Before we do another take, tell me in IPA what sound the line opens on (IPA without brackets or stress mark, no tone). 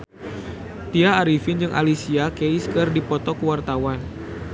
t̪